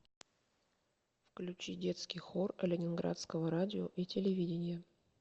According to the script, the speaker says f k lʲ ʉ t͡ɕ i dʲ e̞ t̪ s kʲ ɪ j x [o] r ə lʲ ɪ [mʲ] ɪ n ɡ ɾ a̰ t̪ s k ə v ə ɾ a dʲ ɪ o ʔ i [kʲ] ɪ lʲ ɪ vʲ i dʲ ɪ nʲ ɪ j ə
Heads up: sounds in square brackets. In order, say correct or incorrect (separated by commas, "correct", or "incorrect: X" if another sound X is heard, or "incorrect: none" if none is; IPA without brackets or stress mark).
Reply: correct, incorrect: nʲ, incorrect: tʲ